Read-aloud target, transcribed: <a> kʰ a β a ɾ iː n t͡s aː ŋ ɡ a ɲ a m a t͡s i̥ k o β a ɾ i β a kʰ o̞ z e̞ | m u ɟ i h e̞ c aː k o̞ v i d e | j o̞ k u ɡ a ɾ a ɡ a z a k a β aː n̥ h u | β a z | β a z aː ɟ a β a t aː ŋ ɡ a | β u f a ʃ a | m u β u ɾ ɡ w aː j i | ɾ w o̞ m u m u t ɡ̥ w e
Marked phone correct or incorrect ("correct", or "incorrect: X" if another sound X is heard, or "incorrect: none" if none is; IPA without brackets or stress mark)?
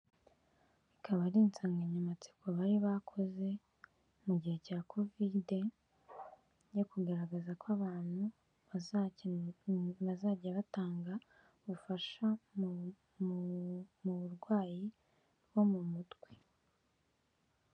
incorrect: i